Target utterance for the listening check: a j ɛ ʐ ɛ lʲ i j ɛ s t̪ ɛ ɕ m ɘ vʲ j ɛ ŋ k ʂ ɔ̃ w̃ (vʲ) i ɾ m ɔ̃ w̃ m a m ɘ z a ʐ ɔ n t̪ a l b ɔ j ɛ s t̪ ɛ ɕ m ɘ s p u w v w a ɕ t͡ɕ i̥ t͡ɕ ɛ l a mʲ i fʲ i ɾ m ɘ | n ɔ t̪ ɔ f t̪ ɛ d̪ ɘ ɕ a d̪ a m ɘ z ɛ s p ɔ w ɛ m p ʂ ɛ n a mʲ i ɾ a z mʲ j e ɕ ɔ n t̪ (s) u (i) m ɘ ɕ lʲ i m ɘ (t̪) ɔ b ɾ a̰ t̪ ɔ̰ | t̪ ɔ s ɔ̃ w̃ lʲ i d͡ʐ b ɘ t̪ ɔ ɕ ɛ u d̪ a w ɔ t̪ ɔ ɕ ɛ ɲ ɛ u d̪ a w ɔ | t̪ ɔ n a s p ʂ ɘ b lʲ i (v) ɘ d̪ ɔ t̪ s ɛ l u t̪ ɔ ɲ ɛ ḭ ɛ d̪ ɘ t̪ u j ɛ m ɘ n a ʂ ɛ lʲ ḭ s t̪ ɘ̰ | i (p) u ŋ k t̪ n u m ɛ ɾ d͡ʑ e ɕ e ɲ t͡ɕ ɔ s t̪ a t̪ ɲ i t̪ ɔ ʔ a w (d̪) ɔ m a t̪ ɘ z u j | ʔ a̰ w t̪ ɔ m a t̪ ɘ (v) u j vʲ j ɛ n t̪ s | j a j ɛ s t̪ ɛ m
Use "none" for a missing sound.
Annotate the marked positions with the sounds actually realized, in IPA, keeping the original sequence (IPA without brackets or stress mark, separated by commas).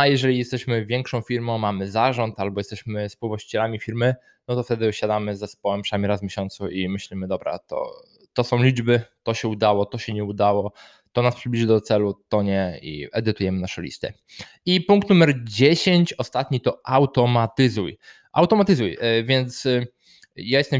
fʲ, s, i, d̪, ʐ, p, t̪, z